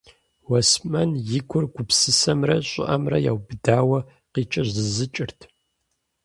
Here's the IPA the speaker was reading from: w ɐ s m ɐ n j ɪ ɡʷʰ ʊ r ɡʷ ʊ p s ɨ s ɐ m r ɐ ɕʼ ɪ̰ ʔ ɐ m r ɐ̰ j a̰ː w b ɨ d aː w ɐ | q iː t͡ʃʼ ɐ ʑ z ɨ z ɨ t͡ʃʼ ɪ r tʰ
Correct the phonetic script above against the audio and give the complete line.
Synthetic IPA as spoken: w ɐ s m ɐ n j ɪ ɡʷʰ ʊ r ɡʷ ʊ p s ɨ s ɐ m r ɐ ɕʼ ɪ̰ ʔ ɐ m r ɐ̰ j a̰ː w b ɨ d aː w ɐ | q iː t͡ʃʼ ɐ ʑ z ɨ z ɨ t͡ʃʼ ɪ r tʰ